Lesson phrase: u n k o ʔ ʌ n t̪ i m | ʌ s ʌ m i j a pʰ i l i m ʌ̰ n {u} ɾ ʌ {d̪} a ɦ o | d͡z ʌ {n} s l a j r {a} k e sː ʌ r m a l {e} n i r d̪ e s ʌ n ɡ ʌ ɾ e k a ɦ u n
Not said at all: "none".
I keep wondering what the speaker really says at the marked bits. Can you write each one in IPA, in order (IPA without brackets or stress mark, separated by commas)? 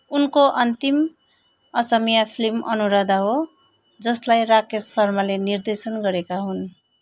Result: u, d̪, none, a, e